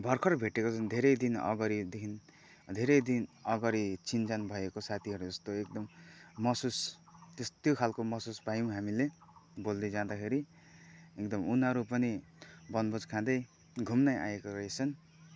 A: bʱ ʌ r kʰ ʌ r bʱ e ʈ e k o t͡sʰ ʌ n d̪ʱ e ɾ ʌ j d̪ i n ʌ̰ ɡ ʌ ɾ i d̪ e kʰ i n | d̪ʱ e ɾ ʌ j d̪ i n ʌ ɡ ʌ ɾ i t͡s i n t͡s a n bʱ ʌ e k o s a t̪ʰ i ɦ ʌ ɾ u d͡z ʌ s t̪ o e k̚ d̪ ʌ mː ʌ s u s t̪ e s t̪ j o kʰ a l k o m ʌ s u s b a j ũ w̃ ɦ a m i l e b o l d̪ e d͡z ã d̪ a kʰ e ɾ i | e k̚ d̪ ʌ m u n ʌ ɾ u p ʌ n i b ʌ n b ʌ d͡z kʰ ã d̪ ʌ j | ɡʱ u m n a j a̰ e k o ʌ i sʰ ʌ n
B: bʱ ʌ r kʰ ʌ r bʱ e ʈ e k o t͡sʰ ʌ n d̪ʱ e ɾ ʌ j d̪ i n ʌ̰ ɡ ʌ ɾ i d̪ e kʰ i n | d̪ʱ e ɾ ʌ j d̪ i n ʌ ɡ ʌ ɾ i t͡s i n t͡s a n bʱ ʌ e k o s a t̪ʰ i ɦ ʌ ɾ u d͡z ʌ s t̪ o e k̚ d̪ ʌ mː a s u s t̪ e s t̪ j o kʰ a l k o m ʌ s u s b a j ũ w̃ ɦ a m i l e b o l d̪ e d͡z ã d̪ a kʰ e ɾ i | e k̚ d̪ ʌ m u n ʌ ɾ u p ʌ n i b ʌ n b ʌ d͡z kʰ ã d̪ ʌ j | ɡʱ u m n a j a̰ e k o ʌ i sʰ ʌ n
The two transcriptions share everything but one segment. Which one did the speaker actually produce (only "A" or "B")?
A